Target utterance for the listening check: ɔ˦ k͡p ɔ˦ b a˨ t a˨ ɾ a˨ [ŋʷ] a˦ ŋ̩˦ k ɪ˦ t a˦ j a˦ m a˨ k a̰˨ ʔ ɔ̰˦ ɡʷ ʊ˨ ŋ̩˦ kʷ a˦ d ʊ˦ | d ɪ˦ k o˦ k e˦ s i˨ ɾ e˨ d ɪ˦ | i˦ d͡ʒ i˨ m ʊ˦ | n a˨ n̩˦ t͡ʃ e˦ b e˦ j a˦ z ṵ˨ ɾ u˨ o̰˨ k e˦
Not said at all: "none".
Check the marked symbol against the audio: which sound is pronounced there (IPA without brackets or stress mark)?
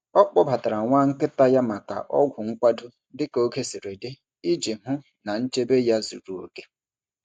ŋʷ